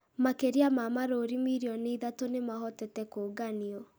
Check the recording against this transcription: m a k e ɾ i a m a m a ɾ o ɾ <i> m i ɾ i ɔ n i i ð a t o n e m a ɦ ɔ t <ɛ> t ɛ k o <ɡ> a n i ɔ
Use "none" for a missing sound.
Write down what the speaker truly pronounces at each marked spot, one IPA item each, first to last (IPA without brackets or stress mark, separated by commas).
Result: i, ɛ, ɡ